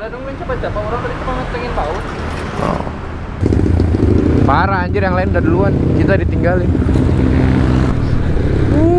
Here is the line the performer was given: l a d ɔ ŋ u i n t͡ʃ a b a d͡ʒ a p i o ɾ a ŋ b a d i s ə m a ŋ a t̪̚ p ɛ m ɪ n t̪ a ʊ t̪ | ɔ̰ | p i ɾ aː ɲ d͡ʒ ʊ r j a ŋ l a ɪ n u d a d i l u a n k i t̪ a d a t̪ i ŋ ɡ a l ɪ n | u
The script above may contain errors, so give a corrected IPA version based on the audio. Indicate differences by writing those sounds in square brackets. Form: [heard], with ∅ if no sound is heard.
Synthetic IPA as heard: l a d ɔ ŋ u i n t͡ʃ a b a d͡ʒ a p [a] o ɾ a ŋ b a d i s ə m a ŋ a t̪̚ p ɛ [ŋ] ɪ n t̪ a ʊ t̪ | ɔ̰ | p [a] ɾ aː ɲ d͡ʒ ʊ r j a ŋ l a ɪ n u d a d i l u a n k i t̪ a d [i] t̪ i ŋ ɡ a l ɪ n | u